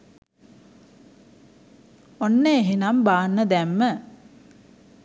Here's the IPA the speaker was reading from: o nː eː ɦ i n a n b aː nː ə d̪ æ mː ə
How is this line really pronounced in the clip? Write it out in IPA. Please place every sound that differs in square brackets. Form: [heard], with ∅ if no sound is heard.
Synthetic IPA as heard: o nː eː ɦ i n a [m] b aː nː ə d̪ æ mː ə